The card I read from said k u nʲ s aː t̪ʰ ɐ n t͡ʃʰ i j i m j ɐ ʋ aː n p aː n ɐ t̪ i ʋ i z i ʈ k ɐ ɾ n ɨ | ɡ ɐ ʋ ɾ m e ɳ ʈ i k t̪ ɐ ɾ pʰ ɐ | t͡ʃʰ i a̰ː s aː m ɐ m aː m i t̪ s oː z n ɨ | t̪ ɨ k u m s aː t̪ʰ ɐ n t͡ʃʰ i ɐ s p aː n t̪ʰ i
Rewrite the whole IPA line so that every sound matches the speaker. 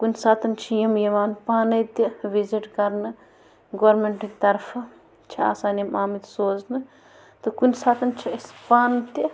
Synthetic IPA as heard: k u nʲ s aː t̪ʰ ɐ n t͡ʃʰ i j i m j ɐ ʋ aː n p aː n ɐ t̪ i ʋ i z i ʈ k ɐ ɾ n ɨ | ɡ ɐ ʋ ɾ m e ɳ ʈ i k t̪ ɐ ɾ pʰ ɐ | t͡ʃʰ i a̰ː s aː n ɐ m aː m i t̪ s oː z n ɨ | t̪ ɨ k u n s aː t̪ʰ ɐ n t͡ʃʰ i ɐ s p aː n t̪ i